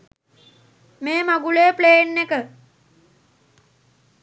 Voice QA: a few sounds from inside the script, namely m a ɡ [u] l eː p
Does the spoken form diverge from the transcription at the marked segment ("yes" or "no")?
no